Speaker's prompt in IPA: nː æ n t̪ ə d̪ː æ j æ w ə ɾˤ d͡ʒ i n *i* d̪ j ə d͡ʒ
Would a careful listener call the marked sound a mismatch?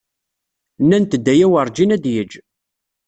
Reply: yes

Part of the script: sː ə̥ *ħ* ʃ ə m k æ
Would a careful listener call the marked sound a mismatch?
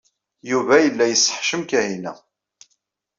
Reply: no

